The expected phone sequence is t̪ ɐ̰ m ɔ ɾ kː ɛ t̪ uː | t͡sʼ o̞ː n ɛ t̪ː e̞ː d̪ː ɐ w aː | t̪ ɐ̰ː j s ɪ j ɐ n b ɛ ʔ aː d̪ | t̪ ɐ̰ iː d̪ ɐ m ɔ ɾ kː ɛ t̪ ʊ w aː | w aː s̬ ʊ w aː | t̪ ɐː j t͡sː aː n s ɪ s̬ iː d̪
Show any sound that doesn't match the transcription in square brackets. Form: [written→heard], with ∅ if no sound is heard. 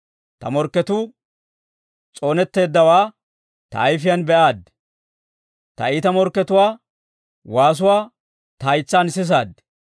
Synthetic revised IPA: t̪ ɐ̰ m ɔ ɾ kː ɛ t̪ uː | t͡sʼ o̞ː n ɛ t̪ː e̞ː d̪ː ɐ w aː | t̪ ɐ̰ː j [s→f] ɪ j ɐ n b ɛ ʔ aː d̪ | t̪ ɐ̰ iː [d̪→t̪] ɐ m ɔ ɾ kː ɛ t̪ ʊ w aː | w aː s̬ ʊ w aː | t̪ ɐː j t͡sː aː n s ɪ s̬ [iː→aː] d̪